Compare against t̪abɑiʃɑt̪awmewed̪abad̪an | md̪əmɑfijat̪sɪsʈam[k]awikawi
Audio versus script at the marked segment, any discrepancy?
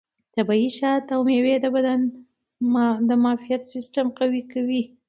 yes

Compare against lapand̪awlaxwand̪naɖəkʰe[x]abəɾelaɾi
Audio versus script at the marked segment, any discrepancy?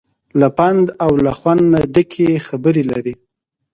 no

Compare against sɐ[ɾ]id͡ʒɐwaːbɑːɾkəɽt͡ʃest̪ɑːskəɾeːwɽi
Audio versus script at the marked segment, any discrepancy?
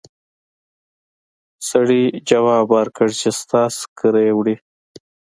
yes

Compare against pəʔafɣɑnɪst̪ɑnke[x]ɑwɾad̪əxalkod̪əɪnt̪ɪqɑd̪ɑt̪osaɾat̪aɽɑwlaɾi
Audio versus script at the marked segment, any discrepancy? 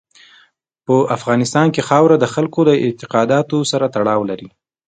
no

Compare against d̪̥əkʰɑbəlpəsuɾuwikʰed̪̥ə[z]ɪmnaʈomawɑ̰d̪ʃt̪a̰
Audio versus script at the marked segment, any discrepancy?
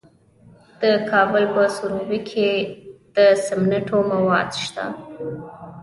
yes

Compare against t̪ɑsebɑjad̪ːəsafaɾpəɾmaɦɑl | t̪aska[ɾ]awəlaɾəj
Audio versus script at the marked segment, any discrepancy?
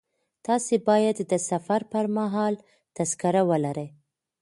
no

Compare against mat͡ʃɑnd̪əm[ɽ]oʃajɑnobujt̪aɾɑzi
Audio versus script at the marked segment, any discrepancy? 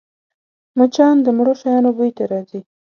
no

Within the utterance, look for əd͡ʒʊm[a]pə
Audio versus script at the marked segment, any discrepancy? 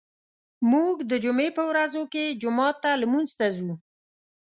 yes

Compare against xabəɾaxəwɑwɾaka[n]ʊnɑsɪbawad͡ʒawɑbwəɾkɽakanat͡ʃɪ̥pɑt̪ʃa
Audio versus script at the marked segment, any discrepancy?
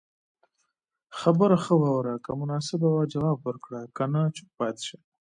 yes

